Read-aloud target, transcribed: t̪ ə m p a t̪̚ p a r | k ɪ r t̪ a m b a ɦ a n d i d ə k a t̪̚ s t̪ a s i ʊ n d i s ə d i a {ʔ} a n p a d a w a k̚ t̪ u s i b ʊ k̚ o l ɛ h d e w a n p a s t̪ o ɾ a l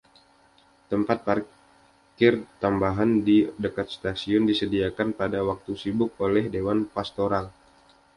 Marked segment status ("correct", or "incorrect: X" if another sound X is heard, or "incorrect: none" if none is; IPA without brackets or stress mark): incorrect: k